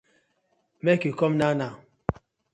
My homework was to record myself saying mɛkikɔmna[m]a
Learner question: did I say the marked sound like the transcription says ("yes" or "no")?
no